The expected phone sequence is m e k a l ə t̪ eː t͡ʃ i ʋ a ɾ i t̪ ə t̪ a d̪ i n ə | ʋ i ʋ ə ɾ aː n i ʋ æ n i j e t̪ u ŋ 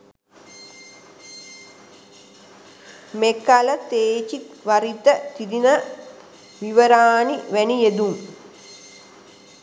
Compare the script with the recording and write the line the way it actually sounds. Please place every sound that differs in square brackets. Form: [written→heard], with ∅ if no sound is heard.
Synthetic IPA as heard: m e k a l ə t̪ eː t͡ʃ i ʋ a ɾ i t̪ ə t̪ [a→i] d̪ i n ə | ʋ i ʋ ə ɾ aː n i ʋ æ n i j e [t̪→d̪] u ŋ